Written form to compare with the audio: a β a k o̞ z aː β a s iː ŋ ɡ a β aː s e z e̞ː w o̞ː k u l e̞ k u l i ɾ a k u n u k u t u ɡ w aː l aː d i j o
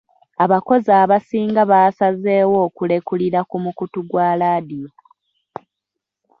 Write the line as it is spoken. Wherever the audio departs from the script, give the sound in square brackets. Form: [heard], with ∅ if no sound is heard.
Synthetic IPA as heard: a β a k o̞ z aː β a s iː ŋ ɡ a β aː s [a] z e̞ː w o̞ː k u l e̞ k u l i ɾ a k u [m] u k u t u ɡ w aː l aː d i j o

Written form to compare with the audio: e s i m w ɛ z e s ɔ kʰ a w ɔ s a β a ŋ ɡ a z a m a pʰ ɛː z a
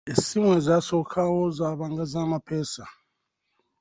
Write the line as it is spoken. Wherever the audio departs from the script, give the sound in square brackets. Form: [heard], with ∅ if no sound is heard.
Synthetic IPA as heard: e s i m w ɛ z [a] s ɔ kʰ a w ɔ [z] a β a ŋ ɡ a z a m a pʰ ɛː [s] a

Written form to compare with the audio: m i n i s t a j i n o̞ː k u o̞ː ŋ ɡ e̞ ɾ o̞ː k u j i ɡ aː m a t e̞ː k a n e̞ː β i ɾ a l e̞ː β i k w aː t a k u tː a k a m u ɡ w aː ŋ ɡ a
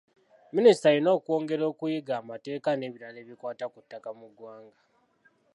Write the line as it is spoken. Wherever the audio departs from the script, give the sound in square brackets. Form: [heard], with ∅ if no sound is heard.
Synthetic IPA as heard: m i n i s t a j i n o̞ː k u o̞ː ŋ ɡ e̞ ɾ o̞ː k u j i ɡ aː m a t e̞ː k a n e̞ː β i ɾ a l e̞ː β i k w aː t a k u tː a k a m u ɡ w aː ŋ ɡ a

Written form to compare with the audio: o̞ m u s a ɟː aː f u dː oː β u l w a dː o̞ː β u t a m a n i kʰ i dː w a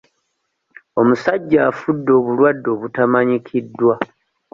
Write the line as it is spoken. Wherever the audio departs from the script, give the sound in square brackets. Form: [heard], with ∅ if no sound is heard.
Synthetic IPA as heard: o̞ m u s a ɟː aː f u dː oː β u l w a dː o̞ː β u t a m a [ɲ] i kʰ i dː w a

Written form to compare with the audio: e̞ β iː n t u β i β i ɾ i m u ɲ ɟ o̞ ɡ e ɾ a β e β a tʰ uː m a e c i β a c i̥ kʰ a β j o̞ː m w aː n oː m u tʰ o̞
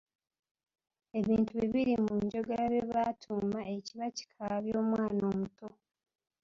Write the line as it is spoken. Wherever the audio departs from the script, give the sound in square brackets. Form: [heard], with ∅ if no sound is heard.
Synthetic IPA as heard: e̞ β iː n t u β i β i ɾ i m u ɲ ɟ o̞ ɡ e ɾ a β e β a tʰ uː m a e c i β a c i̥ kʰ a β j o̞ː m w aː n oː m u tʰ o̞

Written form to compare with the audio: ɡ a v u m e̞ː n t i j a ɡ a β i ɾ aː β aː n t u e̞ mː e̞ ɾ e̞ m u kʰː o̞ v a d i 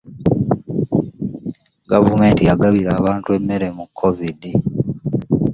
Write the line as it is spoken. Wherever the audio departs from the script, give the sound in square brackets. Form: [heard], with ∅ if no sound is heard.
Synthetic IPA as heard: ɡ a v u m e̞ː n t i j a ɡ a β i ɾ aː β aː n t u e̞ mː e̞ ɾ e̞ m u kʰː o̞ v [i] d i

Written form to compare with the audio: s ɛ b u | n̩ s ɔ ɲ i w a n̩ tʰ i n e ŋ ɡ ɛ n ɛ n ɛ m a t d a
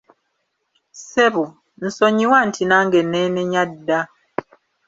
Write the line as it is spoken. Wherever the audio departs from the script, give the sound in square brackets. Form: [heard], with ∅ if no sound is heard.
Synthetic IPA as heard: s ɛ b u | n̩ s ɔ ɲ i w a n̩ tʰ i n [a] ŋ ɡ ɛ n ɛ n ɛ [ɲ] a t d a

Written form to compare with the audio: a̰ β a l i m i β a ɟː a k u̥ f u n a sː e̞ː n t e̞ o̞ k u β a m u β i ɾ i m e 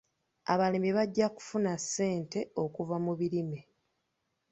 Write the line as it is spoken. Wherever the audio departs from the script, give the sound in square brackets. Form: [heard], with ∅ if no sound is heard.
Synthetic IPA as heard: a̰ β a l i m i β a ɟː a k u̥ f u n a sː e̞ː n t e̞ o̞ k u [v] a m u β i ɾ i m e

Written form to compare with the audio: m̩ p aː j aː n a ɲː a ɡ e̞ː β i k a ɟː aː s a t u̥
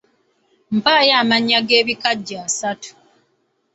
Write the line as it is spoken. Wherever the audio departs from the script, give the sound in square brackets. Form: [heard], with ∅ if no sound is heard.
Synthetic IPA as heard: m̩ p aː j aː [m] a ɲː a ɡ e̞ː β i k a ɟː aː s a t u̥

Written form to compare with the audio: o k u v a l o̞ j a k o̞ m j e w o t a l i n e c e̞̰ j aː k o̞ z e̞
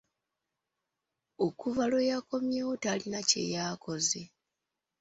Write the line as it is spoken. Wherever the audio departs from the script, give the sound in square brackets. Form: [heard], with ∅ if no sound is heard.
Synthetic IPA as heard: o k u v a l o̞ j a k o̞ m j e w o t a l i n [a] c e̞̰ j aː k o̞ z e̞

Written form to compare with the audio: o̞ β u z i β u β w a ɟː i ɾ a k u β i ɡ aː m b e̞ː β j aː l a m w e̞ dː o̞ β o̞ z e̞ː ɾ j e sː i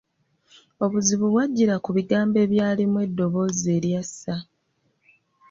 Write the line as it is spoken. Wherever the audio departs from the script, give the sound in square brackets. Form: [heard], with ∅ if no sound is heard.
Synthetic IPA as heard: o̞ β u z i β u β w a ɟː i ɾ a k u β i ɡ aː m b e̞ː β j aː l [i] m w e̞ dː o̞ β o̞ z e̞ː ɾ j [a] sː [a]

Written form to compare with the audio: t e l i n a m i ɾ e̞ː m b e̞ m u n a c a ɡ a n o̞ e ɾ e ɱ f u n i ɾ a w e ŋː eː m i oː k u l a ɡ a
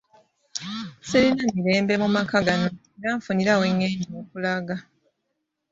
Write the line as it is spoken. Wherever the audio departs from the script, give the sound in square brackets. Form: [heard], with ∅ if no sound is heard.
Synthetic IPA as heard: [s] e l i n a m i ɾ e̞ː m b e̞ m u [m] a [k] a ɡ a n o̞ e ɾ [a] ɱ f u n i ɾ a w e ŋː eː [ɲ] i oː k u l a ɡ a

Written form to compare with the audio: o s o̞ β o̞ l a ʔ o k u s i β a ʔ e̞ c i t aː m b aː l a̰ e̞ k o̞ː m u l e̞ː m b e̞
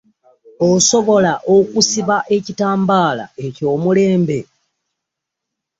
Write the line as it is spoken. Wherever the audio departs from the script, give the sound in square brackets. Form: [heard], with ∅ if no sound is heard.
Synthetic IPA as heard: o s o̞ β o̞ l a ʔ o k u s i β a ʔ e̞ c i t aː m b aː l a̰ e̞ [c] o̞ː m u l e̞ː m b e̞

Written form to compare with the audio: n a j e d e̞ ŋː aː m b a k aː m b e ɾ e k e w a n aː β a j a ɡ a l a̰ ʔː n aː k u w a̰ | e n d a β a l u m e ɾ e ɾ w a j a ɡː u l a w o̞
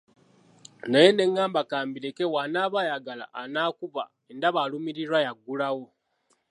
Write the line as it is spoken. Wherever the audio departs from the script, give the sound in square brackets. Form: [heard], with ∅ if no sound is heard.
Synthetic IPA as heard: n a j e [n] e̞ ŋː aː m b a k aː m b [i] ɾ e k e w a n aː β a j a ɡ a l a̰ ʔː n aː k u [β] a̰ | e n d a β a l u m [i] ɾ [i] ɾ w a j a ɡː u l a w o̞

